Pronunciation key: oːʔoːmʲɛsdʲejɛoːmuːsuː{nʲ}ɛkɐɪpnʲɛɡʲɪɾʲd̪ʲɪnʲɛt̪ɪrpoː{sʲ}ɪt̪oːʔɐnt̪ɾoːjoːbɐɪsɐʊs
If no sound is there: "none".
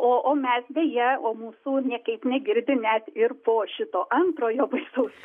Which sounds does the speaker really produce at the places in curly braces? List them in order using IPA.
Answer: nʲ, ʃʲ

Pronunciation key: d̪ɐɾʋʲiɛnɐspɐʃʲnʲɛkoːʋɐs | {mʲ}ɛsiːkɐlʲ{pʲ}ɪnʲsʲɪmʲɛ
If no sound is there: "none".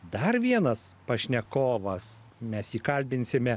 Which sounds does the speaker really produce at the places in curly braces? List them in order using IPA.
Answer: mʲ, bʲ

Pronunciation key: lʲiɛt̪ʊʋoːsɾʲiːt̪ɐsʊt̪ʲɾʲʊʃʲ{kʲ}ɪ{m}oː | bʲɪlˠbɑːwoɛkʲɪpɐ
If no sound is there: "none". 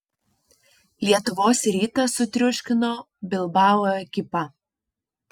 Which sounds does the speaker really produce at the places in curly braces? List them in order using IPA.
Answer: kʲ, n

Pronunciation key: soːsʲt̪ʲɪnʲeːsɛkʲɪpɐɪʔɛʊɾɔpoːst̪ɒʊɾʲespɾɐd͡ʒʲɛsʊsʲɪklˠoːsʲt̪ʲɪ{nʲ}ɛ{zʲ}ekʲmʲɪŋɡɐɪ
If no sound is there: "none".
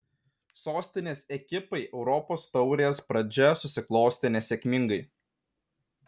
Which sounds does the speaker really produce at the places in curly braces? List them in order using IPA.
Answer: nʲ, sʲ

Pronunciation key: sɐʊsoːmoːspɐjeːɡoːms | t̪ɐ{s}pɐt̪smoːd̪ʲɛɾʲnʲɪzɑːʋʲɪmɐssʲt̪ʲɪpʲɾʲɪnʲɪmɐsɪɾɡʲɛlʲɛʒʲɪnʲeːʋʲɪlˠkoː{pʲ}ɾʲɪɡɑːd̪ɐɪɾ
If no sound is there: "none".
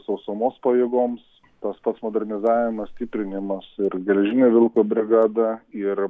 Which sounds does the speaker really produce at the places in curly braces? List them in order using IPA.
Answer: s, bʲ

